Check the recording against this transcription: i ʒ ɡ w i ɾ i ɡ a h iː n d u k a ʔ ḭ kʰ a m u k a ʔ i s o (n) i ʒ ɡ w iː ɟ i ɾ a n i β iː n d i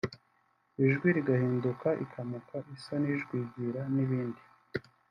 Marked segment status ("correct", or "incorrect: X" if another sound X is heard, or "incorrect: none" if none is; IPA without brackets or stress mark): correct